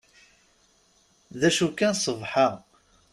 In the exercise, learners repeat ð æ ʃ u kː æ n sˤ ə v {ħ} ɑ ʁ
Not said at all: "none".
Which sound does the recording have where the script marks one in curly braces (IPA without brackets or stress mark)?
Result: ħ